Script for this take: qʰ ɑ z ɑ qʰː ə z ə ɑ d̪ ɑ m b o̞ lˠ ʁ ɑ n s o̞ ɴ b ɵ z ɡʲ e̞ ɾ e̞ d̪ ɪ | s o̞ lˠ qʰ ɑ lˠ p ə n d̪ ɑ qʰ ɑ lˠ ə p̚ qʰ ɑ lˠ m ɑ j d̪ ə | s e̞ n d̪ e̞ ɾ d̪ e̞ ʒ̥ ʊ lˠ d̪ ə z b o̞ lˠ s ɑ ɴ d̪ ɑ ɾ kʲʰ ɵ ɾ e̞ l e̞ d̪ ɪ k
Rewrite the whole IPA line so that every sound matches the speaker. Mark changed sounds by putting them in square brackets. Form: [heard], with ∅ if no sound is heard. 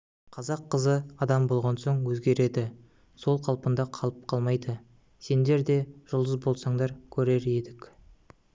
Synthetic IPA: qʰ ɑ z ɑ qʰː ə z ə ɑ d̪ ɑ m b o̞ lˠ ʁ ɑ n s o̞ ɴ [w] ɵ z ɡʲ e̞ ɾ e̞ d̪ ɪ | s o̞ lˠ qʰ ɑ lˠ p ə n d̪ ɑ qʰ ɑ lˠ ə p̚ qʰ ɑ lˠ m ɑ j d̪ ə | s e̞ n d̪ e̞ ɾ d̪ e̞ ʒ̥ ʊ lˠ d̪ ə z b o̞ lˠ s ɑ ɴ d̪ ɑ ɾ kʲʰ ɵ ɾ e̞ [ɾ] e̞ d̪ ɪ k